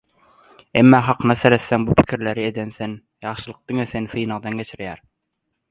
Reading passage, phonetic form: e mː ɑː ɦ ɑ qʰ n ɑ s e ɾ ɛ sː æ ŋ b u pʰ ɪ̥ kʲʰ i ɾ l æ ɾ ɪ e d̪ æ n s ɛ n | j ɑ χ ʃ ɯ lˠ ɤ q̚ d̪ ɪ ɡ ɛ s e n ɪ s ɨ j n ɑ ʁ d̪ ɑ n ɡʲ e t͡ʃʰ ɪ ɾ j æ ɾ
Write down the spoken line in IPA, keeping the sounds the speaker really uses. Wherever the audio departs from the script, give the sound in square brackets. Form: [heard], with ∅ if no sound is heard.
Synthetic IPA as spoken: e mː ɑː ɦ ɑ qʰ n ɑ s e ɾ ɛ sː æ ŋ b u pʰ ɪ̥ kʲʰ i ɾ l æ ɾ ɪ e d̪ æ n s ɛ n | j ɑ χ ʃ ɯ lˠ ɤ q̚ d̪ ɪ [ŋ] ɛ s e n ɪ s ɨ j n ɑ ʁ d̪ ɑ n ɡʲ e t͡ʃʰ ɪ ɾ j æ ɾ